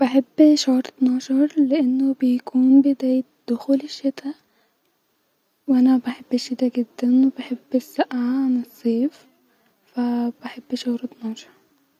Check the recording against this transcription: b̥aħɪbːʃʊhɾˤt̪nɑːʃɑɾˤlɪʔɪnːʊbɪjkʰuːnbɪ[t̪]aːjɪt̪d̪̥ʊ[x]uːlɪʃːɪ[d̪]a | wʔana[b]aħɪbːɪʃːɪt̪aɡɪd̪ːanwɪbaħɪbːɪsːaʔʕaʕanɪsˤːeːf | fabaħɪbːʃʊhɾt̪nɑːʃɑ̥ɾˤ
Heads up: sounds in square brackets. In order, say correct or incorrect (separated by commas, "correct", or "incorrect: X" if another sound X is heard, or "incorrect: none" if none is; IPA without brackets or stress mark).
incorrect: d̪, correct, incorrect: t̪, correct